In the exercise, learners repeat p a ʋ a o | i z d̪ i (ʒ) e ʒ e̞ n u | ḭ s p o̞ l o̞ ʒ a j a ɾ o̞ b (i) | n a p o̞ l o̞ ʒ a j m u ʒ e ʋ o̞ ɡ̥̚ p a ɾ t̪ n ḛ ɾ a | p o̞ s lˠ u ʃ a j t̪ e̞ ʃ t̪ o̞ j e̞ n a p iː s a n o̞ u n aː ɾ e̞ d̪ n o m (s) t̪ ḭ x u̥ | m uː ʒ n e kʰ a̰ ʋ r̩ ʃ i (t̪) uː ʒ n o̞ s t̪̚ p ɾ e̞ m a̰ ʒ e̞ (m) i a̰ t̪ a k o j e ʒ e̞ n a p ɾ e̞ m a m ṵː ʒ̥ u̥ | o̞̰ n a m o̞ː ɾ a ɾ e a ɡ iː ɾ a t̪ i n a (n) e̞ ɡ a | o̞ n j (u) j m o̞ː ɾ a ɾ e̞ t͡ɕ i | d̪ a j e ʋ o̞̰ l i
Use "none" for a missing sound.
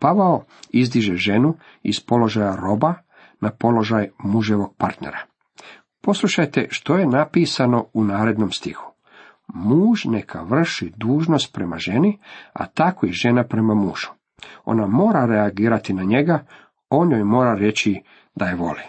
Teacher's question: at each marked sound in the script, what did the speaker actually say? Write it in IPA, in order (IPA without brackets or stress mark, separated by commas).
ʒ, a, s, d̪, n, ɲ, o